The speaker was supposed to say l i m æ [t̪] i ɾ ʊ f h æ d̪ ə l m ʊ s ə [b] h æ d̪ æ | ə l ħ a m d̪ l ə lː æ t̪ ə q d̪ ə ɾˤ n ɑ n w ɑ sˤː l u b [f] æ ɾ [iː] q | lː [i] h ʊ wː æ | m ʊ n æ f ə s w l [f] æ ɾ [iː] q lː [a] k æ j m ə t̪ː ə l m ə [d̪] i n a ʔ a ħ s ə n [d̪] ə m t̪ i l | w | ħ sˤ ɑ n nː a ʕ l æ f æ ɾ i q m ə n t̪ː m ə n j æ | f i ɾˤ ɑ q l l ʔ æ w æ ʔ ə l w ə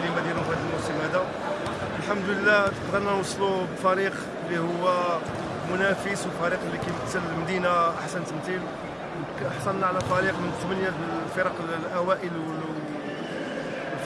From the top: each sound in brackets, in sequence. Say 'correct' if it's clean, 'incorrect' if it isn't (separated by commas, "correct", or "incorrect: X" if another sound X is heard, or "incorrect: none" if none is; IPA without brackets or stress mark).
incorrect: d̪, incorrect: m, correct, incorrect: i, correct, correct, incorrect: i, incorrect: i, correct, incorrect: t̪